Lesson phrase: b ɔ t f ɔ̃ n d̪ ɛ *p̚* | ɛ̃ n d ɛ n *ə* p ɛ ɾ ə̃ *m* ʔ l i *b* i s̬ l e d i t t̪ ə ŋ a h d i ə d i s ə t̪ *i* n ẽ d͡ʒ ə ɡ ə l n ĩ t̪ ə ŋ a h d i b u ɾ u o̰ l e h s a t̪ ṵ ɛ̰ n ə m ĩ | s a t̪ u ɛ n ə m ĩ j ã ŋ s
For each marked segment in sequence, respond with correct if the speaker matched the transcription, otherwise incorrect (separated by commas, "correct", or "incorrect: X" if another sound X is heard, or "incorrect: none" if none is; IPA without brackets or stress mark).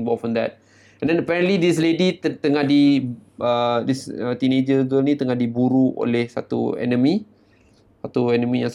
incorrect: t̚, correct, incorrect: n, incorrect: d, correct